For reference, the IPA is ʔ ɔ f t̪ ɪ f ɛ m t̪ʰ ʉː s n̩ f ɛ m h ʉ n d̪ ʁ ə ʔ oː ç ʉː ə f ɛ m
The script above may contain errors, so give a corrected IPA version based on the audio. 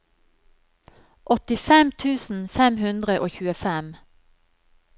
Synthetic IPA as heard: ʔ ɔ t̪ ɪ f ɛ m t̪ʰ ʉː s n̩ f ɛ m h ʉ n d̪ ʁ ə ʔ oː ç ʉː ə f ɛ m